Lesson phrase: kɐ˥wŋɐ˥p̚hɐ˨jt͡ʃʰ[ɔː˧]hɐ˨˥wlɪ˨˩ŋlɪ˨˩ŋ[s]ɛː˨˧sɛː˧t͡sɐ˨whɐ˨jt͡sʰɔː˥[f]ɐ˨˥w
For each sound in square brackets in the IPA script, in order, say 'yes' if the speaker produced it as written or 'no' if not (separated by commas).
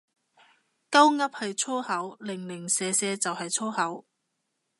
no, yes, no